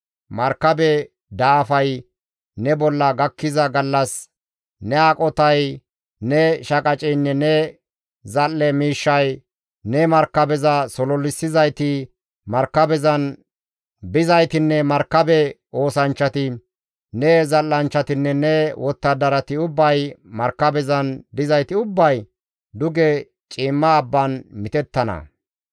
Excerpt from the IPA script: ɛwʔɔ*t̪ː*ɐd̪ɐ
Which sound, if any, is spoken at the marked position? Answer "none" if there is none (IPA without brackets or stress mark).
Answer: t̪ː